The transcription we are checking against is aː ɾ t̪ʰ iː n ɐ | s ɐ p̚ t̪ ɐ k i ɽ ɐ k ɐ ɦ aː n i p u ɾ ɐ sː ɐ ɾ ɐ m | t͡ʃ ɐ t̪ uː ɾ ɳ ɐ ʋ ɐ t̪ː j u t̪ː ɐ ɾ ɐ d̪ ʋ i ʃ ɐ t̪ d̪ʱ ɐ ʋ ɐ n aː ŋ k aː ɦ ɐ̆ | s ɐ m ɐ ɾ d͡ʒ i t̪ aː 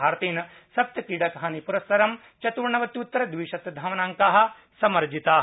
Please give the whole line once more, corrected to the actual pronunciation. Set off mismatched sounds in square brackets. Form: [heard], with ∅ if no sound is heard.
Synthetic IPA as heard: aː ɾ [t̪] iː n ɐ | s ɐ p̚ t̪ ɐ k i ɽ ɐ k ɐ ɦ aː n i p u ɾ ɐ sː ɐ ɾ ɐ m | t͡ʃ ɐ t̪ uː ɾ ɳ ɐ ʋ ɐ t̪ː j u t̪ː ɐ ɾ ɐ d̪ ʋ i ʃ ɐ t̪ d̪ʱ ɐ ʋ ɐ n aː ŋ k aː ɦ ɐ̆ | s ɐ m ɐ ɾ d͡ʒ i t̪ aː